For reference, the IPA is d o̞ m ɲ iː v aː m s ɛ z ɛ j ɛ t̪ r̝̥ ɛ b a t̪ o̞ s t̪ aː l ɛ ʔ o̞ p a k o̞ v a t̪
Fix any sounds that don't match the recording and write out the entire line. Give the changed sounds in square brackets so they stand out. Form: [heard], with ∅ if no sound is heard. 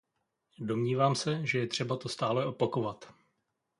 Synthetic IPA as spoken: d o̞ m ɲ iː v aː m s ɛ [ʒ] ɛ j ɛ t̪ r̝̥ ɛ b a t̪ o̞ s t̪ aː l ɛ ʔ o̞ p a k o̞ v a t̪